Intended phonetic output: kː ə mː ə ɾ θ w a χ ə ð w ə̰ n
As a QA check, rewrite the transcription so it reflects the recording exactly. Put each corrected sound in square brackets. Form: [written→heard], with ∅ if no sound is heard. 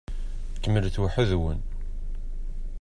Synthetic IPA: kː ə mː ə [ɾ→l] θ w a [χ→ħ] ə ð w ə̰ n